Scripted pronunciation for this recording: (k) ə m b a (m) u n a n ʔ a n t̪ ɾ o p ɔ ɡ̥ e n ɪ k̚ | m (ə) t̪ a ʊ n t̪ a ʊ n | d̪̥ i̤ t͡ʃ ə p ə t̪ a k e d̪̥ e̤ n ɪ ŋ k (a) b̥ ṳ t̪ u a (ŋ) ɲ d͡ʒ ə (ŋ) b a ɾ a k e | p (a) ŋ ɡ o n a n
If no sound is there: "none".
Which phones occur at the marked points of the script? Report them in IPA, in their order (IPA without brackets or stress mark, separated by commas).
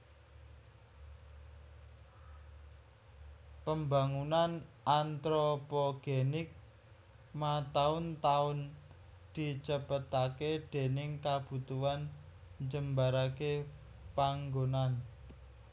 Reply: p, ŋ, a, a, n, m, a